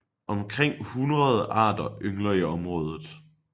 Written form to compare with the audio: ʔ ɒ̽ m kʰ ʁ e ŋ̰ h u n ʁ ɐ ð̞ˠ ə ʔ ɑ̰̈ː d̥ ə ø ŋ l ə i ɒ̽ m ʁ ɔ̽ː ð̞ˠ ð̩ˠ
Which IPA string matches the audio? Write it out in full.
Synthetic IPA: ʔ ɒ̽ m kʰ ʁ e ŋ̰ h u n ʁ ɐ ð̞ˠ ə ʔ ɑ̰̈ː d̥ ɐ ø ŋ l ɐ i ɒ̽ m ʁ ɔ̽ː ð̞ˠ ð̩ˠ